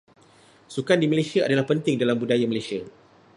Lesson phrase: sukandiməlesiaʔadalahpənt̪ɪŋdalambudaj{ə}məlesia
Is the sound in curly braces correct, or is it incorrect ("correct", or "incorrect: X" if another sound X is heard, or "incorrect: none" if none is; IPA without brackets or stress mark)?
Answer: incorrect: a